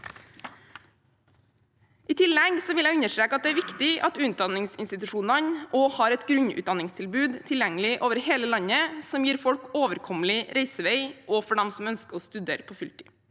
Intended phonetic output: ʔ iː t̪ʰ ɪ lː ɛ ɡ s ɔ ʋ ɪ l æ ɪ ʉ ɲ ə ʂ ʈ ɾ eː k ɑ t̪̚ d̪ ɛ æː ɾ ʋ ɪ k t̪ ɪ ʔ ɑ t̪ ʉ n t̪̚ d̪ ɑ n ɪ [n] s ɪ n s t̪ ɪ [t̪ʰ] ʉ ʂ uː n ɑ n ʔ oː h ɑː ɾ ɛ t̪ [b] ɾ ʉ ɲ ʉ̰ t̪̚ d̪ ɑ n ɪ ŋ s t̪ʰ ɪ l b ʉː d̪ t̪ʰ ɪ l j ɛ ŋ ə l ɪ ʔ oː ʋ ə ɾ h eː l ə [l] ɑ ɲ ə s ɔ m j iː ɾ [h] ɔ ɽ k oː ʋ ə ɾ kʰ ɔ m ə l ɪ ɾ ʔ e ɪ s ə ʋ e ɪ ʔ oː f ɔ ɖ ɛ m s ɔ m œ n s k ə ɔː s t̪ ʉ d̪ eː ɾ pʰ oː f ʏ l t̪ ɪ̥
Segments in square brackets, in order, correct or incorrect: incorrect: ŋ, incorrect: t̪, incorrect: ɡ, correct, incorrect: f

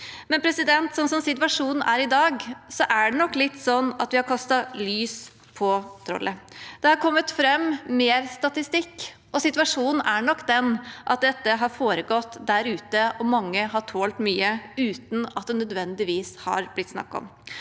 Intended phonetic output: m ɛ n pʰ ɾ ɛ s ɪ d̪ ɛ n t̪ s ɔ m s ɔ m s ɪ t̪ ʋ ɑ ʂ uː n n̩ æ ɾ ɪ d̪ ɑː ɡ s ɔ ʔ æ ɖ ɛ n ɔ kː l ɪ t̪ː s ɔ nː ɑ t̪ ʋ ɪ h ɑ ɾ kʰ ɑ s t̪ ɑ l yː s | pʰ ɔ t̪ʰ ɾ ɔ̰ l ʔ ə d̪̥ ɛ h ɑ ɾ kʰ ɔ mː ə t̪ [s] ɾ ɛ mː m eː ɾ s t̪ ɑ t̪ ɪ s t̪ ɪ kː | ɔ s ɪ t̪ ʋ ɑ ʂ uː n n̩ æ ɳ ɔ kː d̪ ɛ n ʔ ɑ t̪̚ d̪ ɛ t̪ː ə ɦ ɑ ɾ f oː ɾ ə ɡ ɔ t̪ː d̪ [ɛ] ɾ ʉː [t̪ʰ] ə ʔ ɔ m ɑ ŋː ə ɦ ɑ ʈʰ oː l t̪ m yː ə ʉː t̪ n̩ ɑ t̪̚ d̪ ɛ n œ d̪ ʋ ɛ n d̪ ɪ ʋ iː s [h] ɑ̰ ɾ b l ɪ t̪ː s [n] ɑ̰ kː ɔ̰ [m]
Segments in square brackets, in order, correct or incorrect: incorrect: f, incorrect: æ, incorrect: t̪, correct, correct, correct

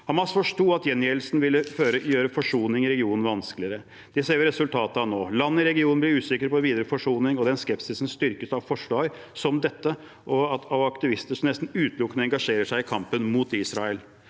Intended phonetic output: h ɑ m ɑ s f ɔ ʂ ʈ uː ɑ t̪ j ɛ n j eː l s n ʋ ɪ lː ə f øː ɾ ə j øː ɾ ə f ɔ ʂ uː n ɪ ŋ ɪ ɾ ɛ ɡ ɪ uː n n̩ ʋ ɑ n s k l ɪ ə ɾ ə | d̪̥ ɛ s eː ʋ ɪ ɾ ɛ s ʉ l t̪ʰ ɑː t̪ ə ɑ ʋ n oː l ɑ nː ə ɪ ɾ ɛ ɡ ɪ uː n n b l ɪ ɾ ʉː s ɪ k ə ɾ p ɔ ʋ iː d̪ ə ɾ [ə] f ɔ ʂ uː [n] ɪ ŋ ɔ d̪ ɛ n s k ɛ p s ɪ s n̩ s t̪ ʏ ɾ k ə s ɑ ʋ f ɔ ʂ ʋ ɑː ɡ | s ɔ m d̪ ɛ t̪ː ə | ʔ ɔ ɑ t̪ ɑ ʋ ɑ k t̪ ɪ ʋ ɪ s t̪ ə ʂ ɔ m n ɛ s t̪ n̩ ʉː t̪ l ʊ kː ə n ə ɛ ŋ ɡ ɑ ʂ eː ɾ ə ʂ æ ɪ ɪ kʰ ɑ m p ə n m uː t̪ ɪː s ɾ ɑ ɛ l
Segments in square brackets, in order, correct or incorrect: correct, correct

